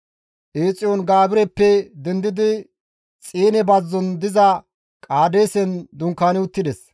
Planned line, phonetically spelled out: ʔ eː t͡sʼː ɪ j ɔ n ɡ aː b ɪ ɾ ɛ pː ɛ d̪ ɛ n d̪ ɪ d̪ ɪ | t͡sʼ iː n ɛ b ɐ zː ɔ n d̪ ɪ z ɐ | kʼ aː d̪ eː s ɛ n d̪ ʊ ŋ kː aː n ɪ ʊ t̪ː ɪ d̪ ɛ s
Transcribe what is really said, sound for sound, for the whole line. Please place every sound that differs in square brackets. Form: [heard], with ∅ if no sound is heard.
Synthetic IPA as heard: ʔ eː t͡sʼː ɪ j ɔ n ɡ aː b ɪ ɾ ɛ pː ɛ d̪ ɛ n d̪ ɪ d̪ ɪ | t͡sʼ iː n ɛ b ɐ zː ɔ n d̪ ɪ z ɐ | kʼ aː d̪ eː s ɛ n d̪ ʊ ŋ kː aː n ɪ ʊ t̪ː ɪ d̪ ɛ s